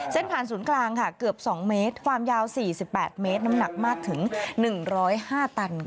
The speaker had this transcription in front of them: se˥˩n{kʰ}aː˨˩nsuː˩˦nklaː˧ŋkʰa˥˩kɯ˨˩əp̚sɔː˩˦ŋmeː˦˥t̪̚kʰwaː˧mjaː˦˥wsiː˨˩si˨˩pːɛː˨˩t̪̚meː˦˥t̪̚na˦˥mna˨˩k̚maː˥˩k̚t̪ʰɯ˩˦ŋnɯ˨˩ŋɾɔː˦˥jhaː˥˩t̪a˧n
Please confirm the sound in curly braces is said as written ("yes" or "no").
no